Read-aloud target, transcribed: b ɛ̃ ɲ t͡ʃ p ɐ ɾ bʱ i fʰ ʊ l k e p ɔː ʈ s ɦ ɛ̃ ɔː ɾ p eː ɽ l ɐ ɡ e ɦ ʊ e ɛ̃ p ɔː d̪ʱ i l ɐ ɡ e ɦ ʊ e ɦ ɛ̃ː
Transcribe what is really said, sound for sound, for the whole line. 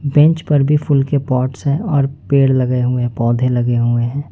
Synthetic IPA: b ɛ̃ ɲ t͡ʃ p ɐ ɾ bʱ i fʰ ʊ l k e p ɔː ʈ s ɦ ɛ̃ ɔː ɾ p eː ɽ l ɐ ɡ e ɦ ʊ e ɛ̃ p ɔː d̪ʱ e l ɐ ɡ e ɦ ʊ e ɦ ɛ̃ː